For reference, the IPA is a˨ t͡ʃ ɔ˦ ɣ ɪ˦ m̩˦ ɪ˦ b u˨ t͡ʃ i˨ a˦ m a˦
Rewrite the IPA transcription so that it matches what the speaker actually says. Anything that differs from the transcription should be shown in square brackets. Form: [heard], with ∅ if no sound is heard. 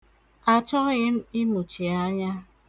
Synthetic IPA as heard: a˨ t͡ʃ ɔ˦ ɣ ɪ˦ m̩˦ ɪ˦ [m] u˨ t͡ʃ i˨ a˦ [ɲ] a˦

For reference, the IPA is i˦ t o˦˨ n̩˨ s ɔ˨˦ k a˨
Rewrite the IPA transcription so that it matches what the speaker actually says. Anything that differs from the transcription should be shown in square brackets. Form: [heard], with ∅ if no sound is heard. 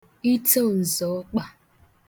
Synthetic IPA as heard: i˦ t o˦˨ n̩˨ [z] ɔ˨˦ [k͡p] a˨

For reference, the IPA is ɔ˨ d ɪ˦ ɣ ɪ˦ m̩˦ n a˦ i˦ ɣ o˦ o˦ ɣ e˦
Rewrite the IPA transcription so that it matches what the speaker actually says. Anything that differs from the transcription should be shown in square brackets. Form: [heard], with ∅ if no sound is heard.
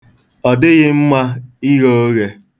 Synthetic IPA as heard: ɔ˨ d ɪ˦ ɣ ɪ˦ m̩˦ [m] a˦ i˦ ɣ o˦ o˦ ɣ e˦

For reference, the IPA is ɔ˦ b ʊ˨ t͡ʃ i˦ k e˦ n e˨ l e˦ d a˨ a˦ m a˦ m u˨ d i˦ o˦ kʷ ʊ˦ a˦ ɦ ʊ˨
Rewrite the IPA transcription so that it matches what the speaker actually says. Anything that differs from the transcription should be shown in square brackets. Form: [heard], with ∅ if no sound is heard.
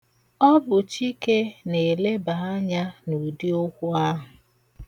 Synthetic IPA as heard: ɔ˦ b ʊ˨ t͡ʃ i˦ k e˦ n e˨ l e˦ [b] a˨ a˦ [ɲ] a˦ [n] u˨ d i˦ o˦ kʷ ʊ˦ a˦ ɦ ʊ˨

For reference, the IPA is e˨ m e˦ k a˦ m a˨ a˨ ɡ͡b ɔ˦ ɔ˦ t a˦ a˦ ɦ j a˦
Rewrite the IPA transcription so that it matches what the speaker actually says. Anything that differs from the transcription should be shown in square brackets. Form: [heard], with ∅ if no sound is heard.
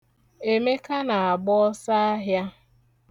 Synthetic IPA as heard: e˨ m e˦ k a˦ [n] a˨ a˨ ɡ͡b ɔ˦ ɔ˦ [s] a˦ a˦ ɦ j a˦

